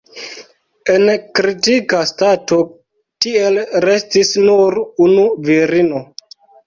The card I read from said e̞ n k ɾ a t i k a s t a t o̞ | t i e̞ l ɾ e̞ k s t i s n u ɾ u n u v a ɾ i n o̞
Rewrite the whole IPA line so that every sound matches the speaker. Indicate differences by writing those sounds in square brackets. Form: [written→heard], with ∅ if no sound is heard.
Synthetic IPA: e̞ n k ɾ [a→i] t i k a s t a t o̞ | t i e̞ l ɾ e̞ [k→∅] s t i s n u ɾ u n u v [a→i] ɾ i n o̞

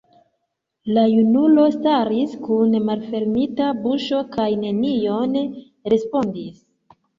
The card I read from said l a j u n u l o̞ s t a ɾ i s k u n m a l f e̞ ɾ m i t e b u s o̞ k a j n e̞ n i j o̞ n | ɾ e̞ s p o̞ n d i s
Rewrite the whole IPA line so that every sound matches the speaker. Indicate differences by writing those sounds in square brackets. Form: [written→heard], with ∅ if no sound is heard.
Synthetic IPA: l a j u n u l o̞ s t a ɾ i s k u n m a l f e̞ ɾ m i t [e→a] b u [s→ʃ] o̞ k a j n e̞ n i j o̞ n | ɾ e̞ s p o̞ n d i s

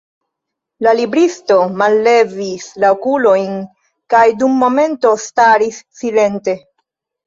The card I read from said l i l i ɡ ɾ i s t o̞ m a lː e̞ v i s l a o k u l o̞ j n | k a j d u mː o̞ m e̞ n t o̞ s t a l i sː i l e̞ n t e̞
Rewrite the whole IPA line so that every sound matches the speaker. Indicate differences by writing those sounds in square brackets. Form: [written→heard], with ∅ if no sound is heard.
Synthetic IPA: l [i→a] l i [ɡ→b] ɾ i s t o̞ m a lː e̞ v i s l a o k u l o̞ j n | k a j d u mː o̞ m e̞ n t o̞ s t a [l→ɾ] i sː i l e̞ n t e̞

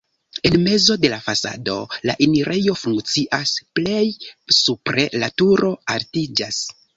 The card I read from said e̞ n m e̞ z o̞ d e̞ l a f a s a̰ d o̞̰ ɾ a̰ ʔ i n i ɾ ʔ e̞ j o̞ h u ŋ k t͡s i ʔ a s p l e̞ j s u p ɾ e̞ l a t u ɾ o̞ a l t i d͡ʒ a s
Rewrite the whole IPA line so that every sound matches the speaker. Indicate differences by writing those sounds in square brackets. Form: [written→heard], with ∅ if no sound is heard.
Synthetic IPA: e̞ n m e̞ z o̞ d e̞ l a f a s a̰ d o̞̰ [ɾ→l] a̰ ʔ i n i ɾ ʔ e̞ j o̞ [h→f] u ŋ k t͡s i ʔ a s p l e̞ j s u p ɾ e̞ l a t u ɾ o̞ a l t i d͡ʒ a s

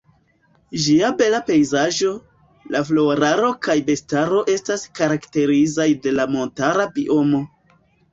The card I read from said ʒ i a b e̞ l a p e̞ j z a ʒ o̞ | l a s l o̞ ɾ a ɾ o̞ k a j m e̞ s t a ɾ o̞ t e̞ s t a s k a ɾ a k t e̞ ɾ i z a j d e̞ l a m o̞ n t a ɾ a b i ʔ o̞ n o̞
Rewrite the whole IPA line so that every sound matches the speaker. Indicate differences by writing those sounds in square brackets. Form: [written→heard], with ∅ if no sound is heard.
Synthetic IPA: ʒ i a b e̞ l a p e̞ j z a ʒ o̞ | l a [s→f] l o̞ ɾ a ɾ o̞ k a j [m→b] e̞ s t a ɾ o̞ [t→ʔ] e̞ s t a s k a ɾ a k t e̞ ɾ i z a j d e̞ l a m o̞ n t a ɾ a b i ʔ o̞ [n→m] o̞

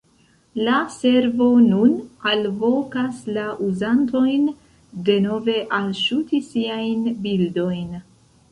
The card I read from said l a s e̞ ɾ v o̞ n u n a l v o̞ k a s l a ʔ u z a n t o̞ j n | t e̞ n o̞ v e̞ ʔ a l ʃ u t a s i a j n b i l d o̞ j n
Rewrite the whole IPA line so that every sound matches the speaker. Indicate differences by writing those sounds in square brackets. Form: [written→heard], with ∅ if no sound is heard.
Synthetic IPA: l a s e̞ ɾ v o̞ n u n a l v o̞ k a s l a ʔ u z a n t o̞ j n | [t→d] e̞ n o̞ v e̞ ʔ a l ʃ u t [a→i] s i a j n b i l d o̞ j n

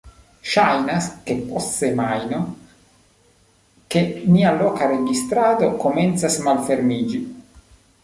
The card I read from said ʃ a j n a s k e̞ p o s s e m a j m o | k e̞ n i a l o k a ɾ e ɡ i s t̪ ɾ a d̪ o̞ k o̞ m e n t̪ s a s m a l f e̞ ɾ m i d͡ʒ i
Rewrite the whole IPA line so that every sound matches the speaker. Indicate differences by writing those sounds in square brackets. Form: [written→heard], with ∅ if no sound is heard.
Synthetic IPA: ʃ a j n a s k e̞ p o s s e m a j [m→n] o | k e̞ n i a l o k a ɾ e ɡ i s t̪ ɾ a d̪ o̞ k o̞ m e n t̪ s a s m a l f e̞ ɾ m i d͡ʒ i

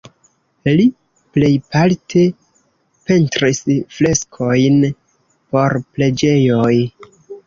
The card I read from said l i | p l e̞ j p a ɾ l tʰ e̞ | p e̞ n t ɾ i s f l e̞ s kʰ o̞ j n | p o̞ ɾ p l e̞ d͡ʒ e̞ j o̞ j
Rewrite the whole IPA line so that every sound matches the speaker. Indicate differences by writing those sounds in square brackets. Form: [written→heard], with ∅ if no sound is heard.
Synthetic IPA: l i | p l e̞ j p a [ɾ→∅] l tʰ e̞ | p e̞ n t ɾ i s f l e̞ s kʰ o̞ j n | p o̞ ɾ p l e̞ d͡ʒ e̞ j o̞ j

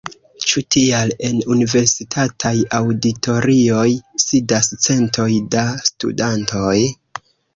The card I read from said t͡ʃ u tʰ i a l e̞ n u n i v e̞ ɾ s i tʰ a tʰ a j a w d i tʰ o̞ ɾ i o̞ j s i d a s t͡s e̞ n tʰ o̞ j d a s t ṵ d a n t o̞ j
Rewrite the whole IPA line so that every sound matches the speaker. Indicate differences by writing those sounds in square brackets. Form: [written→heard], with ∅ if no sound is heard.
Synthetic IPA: t͡ʃ u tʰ i a l e̞ n u n i v e̞ ɾ s i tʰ a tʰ a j a w d i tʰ o̞ ɾ i o̞ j s i d a s t͡s e̞ n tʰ o̞ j d a s t ṵ d a n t o̞ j

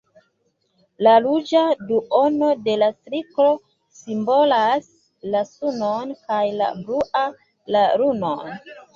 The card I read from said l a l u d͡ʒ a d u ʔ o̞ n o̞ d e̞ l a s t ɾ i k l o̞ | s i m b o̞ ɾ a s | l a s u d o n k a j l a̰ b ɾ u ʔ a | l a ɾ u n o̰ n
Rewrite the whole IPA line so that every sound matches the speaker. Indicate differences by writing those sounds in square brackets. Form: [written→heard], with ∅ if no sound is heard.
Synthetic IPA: l a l u d͡ʒ a d u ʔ o̞ n o̞ d e̞ l a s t ɾ i k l o̞ | s i m b o̞ [ɾ→l] a s | l a s u [d→n] o n k a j l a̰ b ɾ u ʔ a | l a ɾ u n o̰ n

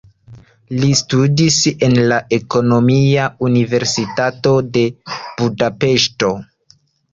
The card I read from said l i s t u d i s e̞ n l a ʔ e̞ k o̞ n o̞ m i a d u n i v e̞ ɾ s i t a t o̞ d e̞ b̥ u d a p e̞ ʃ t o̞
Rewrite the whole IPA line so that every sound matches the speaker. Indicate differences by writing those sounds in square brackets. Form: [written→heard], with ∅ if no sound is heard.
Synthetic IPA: l i s t u d i s e̞ n l a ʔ e̞ k o̞ n o̞ m i a [d→∅] u n i v e̞ ɾ s i t a t o̞ d e̞ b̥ u d a p e̞ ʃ t o̞

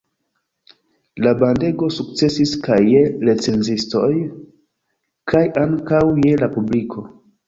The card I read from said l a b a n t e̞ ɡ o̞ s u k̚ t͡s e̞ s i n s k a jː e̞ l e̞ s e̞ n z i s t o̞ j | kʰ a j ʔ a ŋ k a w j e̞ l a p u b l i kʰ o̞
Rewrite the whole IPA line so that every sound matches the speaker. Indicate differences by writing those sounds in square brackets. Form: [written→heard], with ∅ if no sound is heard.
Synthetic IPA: l a b a n [t→d] e̞ ɡ o̞ s u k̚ t͡s e̞ s i [n→∅] s k a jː e̞ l e̞ [s→t͡s] e̞ n z i s t o̞ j | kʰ a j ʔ a ŋ k a w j e̞ l a p u b l i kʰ o̞

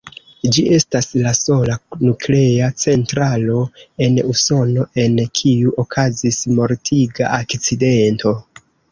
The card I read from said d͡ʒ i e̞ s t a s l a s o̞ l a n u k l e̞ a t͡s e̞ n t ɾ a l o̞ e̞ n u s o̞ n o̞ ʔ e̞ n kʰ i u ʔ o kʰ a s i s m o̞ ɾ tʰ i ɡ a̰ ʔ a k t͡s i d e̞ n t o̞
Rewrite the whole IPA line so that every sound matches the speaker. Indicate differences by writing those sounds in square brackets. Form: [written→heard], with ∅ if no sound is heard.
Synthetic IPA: d͡ʒ i e̞ s t a s l a s o̞ l a n u k l e̞ a t͡s e̞ n t ɾ a l o̞ e̞ n u s o̞ n o̞ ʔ e̞ n kʰ i u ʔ o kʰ a [s→z] i s m o̞ ɾ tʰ i ɡ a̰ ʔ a k t͡s i d e̞ n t o̞

